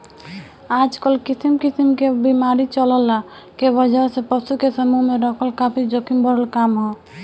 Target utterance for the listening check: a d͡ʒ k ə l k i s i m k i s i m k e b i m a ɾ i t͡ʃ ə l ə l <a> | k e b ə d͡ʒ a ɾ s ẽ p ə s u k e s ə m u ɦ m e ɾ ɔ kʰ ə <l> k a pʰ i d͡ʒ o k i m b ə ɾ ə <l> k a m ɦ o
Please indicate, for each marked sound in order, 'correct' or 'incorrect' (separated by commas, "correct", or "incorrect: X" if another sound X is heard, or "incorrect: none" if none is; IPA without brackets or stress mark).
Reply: correct, correct, correct